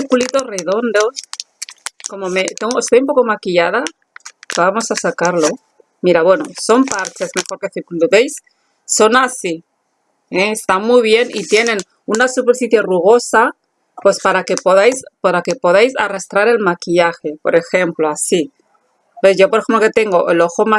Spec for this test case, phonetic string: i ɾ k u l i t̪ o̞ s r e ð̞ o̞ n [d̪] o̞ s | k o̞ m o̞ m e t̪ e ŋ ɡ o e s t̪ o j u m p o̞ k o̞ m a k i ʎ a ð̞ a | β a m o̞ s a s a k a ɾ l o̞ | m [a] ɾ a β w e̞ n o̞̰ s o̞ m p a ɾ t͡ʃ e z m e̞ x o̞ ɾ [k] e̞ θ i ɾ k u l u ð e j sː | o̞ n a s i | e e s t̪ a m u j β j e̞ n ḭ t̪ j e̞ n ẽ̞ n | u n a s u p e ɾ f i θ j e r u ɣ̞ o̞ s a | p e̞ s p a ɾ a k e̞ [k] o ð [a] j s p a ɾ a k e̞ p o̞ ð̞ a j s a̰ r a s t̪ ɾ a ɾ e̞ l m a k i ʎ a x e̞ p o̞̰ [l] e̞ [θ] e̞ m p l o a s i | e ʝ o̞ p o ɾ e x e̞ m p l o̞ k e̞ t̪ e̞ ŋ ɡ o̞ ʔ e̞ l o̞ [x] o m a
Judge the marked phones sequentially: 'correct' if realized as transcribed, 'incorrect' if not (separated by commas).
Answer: correct, incorrect, correct, incorrect, correct, incorrect, incorrect, correct